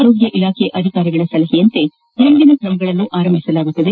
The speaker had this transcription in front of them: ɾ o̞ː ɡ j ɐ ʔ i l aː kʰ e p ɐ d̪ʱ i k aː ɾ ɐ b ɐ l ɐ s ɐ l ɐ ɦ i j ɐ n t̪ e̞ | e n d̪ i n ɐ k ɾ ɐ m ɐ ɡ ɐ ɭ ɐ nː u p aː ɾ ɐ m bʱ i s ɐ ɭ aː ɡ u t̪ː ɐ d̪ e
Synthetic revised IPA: ɾ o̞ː ɡ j ɐ ʔ i l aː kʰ e ʔ ɐ d̪ʱ i k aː ɾ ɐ ɡ ɐ ɭ ɐ s ɐ l ɐ ɦ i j ɐ n t̪ e̞ | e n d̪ i n ɐ k ɾ ɐ m ɐ ɡ ɐ ɭ ɐ nː u ʔ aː ɾ ɐ m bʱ i s ɐ l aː ɡ u t̪ː ɐ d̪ e

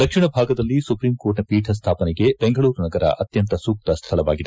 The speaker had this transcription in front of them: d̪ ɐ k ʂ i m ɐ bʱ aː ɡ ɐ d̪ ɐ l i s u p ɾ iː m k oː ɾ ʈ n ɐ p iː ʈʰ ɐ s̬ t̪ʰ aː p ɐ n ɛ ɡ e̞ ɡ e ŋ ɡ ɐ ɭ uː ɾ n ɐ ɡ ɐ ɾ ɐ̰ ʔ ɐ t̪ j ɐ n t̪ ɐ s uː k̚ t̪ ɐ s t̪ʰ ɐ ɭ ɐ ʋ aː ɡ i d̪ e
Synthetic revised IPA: d̪ ɐ k ʂ i ɳ ɐ bʱ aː ɡ ɐ d̪ ɐ lː i s u p ɾ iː m k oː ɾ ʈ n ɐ p iː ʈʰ ɐ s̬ t̪ʰ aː p ɐ n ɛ ɡ e̞ b e ŋ ɡ ɐ ɭ uː ɾ n ɐ ɡ ɐ ɾ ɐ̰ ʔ ɐ t̪ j ɐ n t̪ ɐ s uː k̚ t̪ ɐ s t̪ʰ ɐ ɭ ɐ ʋ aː ɡ i d̪ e

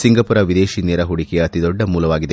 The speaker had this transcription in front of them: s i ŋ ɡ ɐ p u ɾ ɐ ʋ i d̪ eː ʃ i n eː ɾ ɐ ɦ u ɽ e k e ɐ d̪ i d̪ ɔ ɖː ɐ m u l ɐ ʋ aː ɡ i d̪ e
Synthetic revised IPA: s i ŋ ɡ ɐ p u ɾ ɐ ʋ i d̪ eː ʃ i n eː ɾ ɐ ɦ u ɽ i k e ɐ t̪ i d̪ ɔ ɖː ɐ m uː l ɐ ʋ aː ɡ i d̪ e

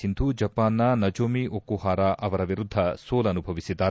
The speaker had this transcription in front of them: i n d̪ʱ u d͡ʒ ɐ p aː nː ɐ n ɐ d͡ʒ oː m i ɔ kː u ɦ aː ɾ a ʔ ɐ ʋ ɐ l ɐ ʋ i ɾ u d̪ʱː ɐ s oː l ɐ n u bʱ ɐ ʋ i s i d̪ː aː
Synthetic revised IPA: i n d̪ʱ u d͡ʒ ɐ p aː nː ɐ n ɐ d͡ʒ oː m i o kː u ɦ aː ɾ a ʔ ɐ ʋ ɐ ɾ ɐ ʋ i ɾ u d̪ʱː ɐ s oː l ɐ n u bʱ ɐ ʋ i s i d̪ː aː

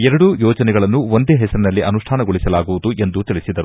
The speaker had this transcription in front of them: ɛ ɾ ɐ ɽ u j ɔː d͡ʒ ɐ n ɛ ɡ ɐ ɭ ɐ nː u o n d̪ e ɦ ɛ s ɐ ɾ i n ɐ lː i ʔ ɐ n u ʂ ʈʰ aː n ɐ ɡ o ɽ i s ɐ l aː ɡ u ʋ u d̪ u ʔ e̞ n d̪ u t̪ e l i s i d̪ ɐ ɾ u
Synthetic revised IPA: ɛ ɾ ɐ ɽ u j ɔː d͡ʒ ɐ n ɛ ɡ ɐ ɭ ɐ nː u o n d̪ e ɦ ɛ s ɐ ɾ i n ɐ lː i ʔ ɐ n u ʂ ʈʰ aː n ɐ ɡ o ɭ i s ɐ l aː ɡ u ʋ u d̪ u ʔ e̞ n d̪ u t̪ i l i s i d̪ ɐ ɾ u

